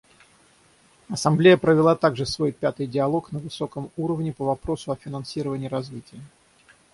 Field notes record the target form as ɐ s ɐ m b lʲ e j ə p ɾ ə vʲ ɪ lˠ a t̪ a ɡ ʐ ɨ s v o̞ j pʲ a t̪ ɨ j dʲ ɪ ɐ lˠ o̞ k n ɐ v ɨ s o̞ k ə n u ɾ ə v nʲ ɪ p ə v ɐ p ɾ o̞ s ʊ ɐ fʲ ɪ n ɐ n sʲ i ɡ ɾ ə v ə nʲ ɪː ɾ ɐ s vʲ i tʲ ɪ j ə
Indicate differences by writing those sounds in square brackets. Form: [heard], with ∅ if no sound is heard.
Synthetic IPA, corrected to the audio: ɐ s ɐ m b lʲ e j ə p ɾ ə vʲ ɪ lˠ a t̪ a ɡ ʐ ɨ s v o̞ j pʲ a t̪ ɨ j dʲ ɪ ɐ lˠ o̞ k n [ə] v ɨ s o̞ k ə [m] u ɾ ə v nʲ ɪ p ə v ɐ p ɾ o̞ s ʊ ɐ fʲ ɪ n ɐ n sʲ i [∅] ɾ ə v ə nʲ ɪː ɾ ɐ [z] vʲ i tʲ ɪ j ə